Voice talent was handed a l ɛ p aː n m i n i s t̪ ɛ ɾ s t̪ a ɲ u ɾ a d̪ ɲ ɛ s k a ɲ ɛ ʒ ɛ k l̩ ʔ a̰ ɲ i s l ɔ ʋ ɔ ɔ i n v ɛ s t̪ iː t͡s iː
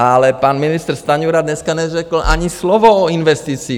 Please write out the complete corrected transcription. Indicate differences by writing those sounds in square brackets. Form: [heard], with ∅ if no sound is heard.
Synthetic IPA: a l ɛ p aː n m i n i s t̪ ɛ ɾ s t̪ a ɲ u ɾ a d̪ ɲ ɛ s k a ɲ ɛ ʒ ɛ k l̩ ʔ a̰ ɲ i s l ɔ ʋ ɔ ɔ i n [ʋ] ɛ s t̪ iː t͡s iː